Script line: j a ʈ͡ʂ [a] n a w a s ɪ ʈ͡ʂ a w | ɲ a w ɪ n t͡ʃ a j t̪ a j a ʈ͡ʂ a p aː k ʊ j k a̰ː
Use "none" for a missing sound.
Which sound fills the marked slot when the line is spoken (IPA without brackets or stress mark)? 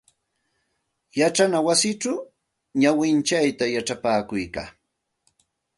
a